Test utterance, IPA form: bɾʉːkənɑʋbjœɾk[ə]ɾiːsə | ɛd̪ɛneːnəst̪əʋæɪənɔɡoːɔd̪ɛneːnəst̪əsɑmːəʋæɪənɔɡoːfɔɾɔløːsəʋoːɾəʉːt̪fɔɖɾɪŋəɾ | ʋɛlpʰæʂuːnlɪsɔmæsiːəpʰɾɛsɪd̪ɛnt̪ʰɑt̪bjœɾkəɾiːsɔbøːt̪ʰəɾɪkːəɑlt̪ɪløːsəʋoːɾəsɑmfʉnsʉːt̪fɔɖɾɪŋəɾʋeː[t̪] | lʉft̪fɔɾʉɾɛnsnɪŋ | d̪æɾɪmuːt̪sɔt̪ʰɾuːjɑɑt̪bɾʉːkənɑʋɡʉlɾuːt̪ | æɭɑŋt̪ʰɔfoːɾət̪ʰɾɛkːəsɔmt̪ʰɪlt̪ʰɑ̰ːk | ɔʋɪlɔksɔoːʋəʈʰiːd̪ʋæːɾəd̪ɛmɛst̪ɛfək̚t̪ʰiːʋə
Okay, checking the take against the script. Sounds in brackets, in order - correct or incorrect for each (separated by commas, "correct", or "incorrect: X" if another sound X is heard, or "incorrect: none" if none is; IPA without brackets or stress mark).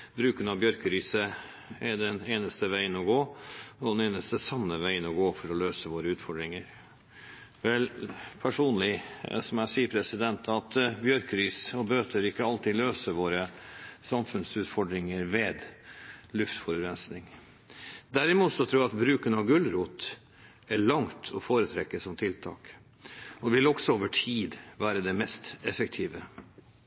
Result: correct, incorrect: d̪